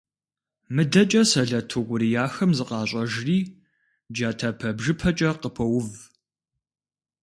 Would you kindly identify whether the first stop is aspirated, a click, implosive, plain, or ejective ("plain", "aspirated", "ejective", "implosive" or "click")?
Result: plain